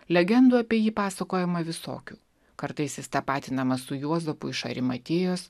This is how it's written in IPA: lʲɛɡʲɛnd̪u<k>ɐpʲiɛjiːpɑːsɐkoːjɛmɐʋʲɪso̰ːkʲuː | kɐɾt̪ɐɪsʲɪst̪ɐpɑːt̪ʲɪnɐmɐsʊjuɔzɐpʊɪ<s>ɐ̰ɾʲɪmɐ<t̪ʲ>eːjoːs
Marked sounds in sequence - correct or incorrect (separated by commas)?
incorrect, incorrect, correct